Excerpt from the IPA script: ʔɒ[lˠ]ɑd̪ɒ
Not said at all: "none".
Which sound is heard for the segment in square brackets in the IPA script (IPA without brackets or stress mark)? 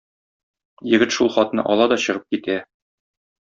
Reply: lˠ